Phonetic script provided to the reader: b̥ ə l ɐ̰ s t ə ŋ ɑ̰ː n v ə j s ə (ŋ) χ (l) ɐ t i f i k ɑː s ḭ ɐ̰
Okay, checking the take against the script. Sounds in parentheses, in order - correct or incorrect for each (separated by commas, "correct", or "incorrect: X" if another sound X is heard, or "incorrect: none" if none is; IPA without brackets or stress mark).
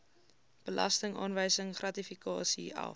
correct, incorrect: r